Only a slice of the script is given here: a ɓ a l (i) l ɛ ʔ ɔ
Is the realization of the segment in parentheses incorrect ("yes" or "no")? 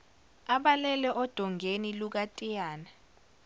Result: yes